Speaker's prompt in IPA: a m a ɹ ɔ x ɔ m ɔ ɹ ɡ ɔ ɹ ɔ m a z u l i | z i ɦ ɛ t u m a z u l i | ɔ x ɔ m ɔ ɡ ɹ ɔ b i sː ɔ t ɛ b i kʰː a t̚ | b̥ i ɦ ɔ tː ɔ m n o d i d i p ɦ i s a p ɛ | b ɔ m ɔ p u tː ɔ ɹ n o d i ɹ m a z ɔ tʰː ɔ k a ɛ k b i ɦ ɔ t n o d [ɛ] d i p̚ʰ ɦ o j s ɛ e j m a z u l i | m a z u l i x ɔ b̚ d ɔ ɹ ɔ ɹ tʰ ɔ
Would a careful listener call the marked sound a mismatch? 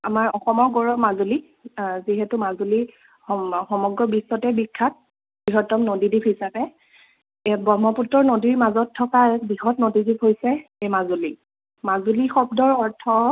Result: yes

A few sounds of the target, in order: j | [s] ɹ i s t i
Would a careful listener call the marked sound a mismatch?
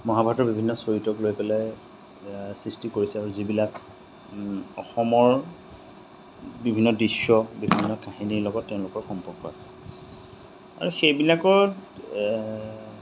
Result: no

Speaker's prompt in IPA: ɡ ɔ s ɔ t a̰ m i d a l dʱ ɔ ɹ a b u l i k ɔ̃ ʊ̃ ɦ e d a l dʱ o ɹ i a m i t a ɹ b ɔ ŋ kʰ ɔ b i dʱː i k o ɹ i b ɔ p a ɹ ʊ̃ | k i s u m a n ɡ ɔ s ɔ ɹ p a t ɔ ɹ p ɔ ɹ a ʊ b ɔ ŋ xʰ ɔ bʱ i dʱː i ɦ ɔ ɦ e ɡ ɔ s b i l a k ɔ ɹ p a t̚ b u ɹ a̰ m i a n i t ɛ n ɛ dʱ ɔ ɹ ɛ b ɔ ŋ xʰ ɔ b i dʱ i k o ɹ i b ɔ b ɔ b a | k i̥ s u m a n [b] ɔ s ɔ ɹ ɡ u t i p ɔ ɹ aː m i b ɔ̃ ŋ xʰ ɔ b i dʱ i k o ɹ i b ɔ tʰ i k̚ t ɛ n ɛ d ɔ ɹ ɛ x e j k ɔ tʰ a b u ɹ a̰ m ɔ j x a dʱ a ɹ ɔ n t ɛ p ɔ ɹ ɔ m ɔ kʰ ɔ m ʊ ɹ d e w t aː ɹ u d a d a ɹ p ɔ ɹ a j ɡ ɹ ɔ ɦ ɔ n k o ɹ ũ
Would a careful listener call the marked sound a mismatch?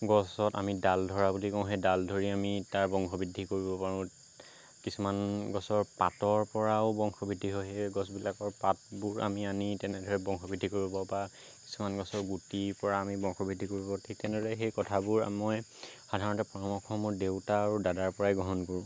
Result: yes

